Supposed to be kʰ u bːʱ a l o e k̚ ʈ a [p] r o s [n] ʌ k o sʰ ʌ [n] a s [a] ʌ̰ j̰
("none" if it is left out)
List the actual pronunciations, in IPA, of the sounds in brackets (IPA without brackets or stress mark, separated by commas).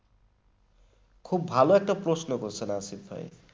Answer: p, n, n, i